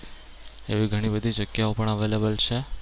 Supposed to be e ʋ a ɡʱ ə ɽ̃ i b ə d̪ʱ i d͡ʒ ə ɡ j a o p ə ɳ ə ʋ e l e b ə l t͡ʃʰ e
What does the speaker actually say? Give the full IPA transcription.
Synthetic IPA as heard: e ʋ i ɡʱ ə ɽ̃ i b ə d̪ʱ i d͡ʒ ə ɡ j a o p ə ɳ ə ʋ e l e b ə l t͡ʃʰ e